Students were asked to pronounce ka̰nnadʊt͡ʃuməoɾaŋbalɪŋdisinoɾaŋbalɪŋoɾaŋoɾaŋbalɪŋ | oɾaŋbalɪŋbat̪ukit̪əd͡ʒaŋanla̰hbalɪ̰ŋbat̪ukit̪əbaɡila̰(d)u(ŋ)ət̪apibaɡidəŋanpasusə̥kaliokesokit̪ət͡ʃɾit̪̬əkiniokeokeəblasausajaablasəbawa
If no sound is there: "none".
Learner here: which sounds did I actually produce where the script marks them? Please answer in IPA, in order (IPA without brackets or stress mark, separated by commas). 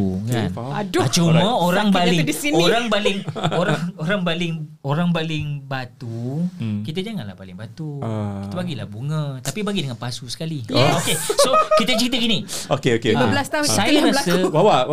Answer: b, ŋ